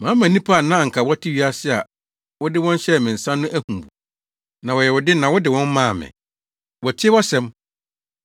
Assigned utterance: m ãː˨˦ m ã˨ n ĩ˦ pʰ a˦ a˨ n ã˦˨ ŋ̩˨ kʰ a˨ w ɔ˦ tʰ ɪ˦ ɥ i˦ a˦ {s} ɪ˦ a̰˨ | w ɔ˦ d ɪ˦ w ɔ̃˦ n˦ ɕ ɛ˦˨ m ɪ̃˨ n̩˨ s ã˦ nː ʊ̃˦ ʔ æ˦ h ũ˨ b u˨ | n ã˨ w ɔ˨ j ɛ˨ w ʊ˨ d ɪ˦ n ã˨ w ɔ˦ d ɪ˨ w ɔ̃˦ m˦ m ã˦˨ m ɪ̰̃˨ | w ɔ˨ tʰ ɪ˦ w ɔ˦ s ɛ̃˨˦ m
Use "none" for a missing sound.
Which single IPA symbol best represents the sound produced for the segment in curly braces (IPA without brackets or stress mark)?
s